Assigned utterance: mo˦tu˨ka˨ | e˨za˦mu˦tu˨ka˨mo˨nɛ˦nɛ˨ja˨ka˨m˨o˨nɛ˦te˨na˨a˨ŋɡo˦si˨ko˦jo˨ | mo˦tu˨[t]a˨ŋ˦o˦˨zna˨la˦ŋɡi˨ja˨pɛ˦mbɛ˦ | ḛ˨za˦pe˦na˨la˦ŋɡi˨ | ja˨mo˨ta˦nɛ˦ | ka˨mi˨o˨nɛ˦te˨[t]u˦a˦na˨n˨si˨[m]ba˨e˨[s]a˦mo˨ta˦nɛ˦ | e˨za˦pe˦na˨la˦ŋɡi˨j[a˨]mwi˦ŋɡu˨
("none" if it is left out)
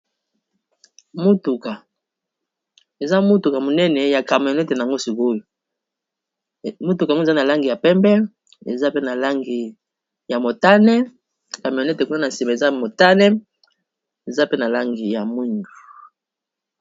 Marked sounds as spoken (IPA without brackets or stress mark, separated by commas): k, k, m, z, a˨